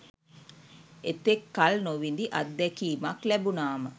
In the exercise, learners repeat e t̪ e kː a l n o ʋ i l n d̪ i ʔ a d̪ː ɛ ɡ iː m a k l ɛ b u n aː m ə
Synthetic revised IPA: e t̪ e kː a l n o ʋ i n d̪ i ʔ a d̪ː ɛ k iː m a k l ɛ b u n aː m ə